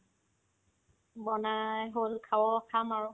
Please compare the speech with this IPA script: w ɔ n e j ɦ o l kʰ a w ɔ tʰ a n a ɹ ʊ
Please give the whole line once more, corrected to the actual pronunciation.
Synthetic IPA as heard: b ɔ n a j ɦ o l kʰ a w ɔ kʰ a m a ɹ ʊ

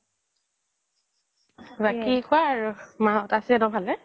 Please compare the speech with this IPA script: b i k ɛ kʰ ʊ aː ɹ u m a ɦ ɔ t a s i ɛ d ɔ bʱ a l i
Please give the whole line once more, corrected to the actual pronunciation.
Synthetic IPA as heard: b a k i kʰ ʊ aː ɹ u m a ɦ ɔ t a s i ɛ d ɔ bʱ a l ɛ

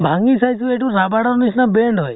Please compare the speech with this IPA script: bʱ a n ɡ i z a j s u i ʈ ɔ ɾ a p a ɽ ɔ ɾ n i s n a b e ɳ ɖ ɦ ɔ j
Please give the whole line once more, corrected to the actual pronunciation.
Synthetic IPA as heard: bʱ a ŋ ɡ i s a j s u e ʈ u ɾ a b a ɽ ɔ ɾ n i s n a b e ɳ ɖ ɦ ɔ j

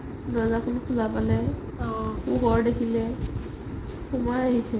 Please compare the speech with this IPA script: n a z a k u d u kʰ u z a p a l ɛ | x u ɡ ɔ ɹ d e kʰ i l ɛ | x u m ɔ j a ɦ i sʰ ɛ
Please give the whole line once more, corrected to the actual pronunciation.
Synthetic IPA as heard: n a z a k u n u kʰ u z a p a l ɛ | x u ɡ ɔ ɹ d e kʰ i l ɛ | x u m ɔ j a ɦ i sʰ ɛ

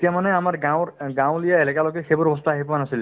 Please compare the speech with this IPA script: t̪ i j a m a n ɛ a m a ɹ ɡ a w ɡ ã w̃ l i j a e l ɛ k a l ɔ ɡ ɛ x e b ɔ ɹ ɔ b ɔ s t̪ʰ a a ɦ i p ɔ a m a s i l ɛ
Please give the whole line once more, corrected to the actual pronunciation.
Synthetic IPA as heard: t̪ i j a m a n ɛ a m a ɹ ɡ a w ɡ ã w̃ l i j a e l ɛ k a l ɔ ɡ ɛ x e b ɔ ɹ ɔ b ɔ s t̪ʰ a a ɦ i p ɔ a n a s i l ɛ

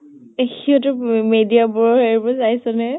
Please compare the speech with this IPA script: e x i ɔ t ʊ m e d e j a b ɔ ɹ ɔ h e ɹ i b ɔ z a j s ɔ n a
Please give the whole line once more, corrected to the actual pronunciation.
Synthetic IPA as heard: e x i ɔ t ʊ m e d i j a b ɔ ɹ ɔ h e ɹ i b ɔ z a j s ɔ n ɛ

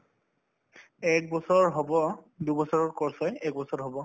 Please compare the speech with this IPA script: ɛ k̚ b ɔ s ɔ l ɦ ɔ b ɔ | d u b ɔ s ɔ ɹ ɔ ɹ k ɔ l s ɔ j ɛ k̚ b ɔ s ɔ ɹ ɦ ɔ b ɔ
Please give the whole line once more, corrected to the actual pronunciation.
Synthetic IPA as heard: ɛ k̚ b ɔ s ɔ ɹ ɦ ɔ b ɔ | d u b ɔ s ɔ ɹ ɔ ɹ k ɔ ɹ s ɔ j ɛ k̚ b ɔ s ɔ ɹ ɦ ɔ b ɔ

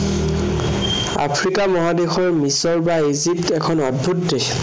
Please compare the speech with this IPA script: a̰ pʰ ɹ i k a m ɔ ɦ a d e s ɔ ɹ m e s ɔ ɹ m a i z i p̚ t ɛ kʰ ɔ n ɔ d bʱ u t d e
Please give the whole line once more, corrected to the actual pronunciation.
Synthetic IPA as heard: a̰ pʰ ɹ i k a m ɔ ɦ a d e x ɔ ɹ m i s ɔ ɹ b a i z i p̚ t ɛ kʰ ɔ n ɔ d bʱ u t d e

